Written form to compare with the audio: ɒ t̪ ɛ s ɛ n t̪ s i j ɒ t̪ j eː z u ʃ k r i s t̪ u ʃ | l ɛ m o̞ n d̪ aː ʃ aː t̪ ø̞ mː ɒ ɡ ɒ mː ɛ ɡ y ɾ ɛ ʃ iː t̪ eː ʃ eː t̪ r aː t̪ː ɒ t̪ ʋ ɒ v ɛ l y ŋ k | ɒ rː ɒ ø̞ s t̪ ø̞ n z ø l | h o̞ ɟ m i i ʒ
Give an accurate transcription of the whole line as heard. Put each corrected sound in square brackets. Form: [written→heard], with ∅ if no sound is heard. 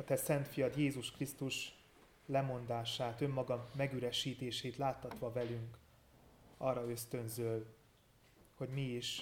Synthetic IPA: ɒ t̪ ɛ s ɛ n t̪ [s→f] i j ɒ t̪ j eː z u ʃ k r i s t̪ u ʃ | l ɛ m o̞ n d̪ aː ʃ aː t̪ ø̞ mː ɒ ɡ ɒ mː ɛ ɡ y ɾ ɛ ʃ iː t̪ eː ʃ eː t̪ [r→l] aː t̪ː ɒ t̪ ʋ ɒ v ɛ l y ŋ k | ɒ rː ɒ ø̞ s t̪ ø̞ n z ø l | h o̞ ɟ m i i [ʒ→ʃ]